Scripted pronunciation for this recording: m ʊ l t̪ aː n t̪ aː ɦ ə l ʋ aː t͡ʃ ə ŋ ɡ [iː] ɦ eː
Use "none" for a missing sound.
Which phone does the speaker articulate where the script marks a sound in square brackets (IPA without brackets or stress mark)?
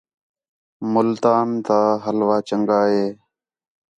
aː